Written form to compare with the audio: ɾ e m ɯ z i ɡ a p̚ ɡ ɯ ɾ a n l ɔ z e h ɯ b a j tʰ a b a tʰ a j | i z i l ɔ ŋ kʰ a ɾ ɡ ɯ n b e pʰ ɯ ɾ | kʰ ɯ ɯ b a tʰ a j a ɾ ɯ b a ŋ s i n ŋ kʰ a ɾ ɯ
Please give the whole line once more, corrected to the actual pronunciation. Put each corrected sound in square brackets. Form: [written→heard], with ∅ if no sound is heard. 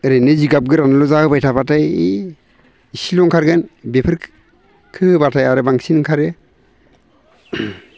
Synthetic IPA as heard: ɾ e [m→n] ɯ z i ɡ a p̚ ɡ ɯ ɾ a n l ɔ z [e→a] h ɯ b a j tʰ a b a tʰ a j | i [z→s] i l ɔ ŋ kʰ a ɾ ɡ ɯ n b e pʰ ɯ ɾ | kʰ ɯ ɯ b a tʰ a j a ɾ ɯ b a ŋ s i n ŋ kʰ a ɾ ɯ